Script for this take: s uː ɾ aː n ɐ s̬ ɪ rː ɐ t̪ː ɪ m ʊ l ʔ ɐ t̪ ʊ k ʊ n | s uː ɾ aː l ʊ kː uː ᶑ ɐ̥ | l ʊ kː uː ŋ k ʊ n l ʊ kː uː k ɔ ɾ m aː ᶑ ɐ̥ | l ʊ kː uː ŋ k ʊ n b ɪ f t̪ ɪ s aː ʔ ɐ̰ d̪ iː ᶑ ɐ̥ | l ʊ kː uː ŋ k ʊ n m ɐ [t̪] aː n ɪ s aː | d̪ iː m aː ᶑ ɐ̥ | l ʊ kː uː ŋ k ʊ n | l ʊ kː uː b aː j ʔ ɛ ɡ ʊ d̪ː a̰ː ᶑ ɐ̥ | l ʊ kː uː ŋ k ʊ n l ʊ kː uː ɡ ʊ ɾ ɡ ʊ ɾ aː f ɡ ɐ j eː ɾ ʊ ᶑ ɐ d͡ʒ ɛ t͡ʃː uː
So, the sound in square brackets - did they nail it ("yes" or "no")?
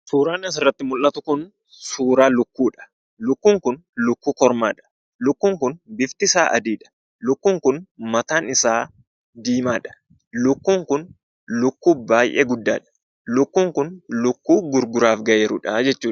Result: yes